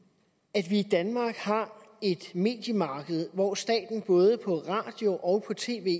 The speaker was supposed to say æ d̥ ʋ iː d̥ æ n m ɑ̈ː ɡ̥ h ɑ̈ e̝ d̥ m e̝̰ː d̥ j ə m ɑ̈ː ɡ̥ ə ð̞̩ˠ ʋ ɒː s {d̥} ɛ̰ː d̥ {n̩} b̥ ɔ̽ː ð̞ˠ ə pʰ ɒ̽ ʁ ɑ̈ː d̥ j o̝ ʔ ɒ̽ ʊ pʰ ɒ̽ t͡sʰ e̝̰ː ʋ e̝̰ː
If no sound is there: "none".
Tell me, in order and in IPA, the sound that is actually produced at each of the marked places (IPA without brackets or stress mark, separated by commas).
d̥, n̩